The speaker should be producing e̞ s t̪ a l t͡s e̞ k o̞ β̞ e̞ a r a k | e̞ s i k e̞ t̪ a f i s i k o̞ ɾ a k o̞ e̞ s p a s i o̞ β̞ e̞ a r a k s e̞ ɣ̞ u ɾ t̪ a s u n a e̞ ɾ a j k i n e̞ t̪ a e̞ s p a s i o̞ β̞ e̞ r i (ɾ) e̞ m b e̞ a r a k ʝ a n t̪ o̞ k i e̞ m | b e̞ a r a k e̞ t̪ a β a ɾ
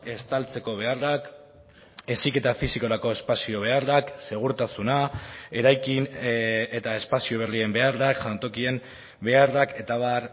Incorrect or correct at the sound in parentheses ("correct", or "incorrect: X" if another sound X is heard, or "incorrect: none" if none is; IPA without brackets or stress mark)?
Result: incorrect: none